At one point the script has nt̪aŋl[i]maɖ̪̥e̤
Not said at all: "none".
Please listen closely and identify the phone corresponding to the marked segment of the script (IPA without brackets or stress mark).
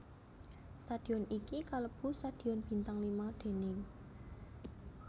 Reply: i